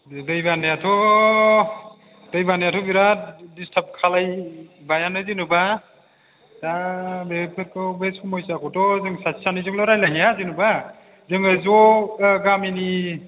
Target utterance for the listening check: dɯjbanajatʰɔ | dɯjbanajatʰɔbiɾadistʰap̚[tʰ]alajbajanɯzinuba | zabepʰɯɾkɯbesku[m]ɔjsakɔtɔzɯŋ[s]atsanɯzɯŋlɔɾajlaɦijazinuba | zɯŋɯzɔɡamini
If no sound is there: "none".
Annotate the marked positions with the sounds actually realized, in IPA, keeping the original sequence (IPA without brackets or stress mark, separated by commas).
kʰ, m, s